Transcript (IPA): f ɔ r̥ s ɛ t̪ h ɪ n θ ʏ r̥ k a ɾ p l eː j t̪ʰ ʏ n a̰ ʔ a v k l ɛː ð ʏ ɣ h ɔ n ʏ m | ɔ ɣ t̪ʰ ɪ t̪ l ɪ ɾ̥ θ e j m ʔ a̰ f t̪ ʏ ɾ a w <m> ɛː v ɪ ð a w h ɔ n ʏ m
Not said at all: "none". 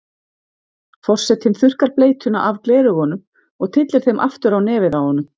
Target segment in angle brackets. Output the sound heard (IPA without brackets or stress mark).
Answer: n